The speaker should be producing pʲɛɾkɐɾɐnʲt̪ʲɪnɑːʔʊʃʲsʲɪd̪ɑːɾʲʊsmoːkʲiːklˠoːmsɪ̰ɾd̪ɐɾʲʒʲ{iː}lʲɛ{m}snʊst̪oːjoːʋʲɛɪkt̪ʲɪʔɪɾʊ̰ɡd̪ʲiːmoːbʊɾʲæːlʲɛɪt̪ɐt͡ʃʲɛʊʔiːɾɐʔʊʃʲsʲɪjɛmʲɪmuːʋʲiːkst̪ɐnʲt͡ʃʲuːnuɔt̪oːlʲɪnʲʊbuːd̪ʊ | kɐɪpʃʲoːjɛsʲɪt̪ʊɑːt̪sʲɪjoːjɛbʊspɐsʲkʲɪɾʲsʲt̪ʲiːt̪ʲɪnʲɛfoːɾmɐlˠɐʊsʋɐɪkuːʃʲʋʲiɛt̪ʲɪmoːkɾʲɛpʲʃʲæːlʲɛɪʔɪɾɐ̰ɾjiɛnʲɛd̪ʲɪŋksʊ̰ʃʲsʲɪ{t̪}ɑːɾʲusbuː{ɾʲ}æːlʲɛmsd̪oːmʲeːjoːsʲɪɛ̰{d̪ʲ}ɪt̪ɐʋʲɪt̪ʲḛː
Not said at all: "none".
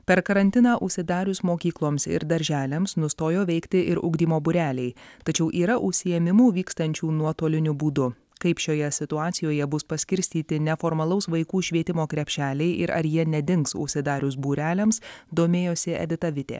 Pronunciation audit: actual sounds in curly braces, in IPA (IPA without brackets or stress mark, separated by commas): æː, m, d̪, ɾʲ, d̪ʲ